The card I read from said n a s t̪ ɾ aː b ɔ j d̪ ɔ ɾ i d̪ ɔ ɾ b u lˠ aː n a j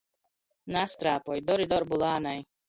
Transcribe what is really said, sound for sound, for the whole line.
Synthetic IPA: n a s t̪ ɾ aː p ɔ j d̪ ɔ ɾ i d̪ ɔ ɾ b u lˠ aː n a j

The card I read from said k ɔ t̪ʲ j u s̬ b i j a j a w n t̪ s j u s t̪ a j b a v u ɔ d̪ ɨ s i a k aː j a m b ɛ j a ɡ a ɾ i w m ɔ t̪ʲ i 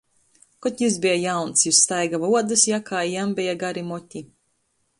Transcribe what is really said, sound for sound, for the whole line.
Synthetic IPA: k ɔ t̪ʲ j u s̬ b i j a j a w n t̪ s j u s t̪ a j ɡ a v u ɔ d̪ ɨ s j a k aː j a m b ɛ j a ɡ a ɾ i m ɔ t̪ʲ i

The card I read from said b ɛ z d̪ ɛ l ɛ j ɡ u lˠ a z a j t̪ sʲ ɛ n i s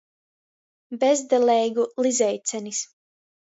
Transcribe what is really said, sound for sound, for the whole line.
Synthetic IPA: b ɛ z d̪ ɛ l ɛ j ɡ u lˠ i z ɛ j t̪ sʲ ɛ n i s

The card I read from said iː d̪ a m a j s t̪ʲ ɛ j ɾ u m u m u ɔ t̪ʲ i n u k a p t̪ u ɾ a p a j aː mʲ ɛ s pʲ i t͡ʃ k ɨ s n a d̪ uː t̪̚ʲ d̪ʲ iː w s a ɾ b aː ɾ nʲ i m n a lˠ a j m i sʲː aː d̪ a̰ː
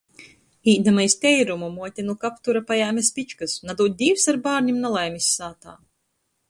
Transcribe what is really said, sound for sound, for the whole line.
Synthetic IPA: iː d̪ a m a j s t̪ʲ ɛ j ɾ u m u m u ɔ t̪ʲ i n u k a p t̪ u ɾ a p a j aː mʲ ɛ s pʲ i t͡ʃ k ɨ s n a d̪ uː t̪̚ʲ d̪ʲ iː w s a ɾ b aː ɾ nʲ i m n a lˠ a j m i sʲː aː t̪ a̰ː

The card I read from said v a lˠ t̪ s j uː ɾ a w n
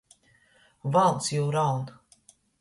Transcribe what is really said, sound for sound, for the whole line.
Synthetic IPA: v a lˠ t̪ s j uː ɾ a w n

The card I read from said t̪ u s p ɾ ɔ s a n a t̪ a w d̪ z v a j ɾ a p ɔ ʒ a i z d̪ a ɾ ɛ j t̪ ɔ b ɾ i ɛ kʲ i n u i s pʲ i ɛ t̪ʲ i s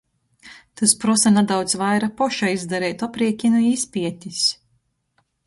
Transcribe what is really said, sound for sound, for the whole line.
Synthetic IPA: t̪ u s p ɾ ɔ s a n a d̪ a w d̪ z v a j ɾ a p ɔ ʃ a i z d̪ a ɾ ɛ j t̪ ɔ p ɾ i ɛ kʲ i n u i s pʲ i ɛ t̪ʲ i s

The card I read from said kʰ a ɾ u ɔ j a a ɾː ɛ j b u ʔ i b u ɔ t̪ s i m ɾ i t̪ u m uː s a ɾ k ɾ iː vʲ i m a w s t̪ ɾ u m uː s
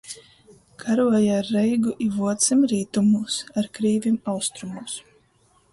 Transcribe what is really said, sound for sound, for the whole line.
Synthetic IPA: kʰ a ɾ u ɔ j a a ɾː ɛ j ɡ u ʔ i v u ɔ t̪ s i m ɾ iː t̪ u m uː s a ɾ k ɾ iː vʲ i m a w s t̪ ɾ u m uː s

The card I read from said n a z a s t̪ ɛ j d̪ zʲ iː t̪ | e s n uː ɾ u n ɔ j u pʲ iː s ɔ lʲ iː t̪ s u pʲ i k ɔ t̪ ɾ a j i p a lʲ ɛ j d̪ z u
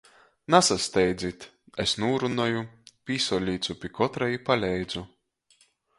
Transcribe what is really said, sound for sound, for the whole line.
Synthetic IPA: n a s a s t̪ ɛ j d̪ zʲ i t̪ | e s n uː ɾ u n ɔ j u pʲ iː s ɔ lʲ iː t̪ s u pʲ i k ɔ t̪ ɾ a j i p a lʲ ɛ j d̪ z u

